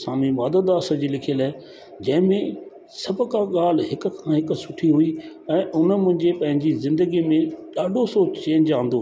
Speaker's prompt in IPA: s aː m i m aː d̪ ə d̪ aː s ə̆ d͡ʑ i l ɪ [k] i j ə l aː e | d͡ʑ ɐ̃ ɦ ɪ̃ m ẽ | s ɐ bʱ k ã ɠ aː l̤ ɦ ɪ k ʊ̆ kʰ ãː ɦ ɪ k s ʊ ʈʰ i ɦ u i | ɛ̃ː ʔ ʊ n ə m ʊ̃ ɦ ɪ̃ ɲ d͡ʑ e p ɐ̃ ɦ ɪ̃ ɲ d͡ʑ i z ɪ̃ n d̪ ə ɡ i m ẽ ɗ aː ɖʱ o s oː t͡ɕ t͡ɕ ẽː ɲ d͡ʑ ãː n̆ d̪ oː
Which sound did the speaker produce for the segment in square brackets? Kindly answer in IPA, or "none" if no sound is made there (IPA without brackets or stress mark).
kʰ